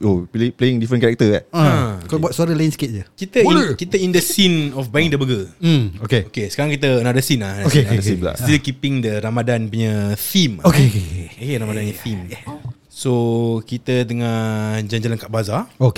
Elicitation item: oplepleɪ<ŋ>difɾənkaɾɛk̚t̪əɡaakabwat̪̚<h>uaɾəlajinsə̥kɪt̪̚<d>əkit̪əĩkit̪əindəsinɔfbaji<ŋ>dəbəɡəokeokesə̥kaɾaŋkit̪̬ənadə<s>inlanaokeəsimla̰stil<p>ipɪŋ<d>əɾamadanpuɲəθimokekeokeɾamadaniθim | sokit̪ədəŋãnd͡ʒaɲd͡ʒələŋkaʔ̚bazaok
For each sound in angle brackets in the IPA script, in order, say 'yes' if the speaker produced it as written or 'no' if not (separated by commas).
yes, no, no, yes, yes, no, yes